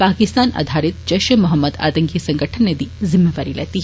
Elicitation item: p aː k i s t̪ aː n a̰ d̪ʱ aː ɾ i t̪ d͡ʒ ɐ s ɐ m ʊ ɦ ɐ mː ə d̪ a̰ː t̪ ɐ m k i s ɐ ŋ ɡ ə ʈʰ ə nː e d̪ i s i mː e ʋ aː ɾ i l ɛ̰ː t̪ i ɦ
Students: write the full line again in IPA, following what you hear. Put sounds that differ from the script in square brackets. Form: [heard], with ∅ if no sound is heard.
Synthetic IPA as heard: p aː k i s t̪ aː n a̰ d̪ʱ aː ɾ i t̪ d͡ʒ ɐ [ʃ] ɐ m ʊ ɦ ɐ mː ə d̪ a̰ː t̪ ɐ [ŋ] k i s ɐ ŋ ɡ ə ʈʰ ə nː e d̪ i [z] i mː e ʋ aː ɾ i l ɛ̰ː t̪ i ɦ